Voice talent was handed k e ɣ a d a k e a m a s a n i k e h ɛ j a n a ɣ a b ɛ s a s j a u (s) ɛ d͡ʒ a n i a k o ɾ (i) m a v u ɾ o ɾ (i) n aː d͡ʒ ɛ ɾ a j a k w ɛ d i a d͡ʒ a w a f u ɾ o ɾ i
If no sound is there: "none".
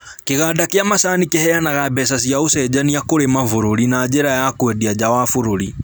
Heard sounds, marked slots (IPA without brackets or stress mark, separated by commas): s, e, i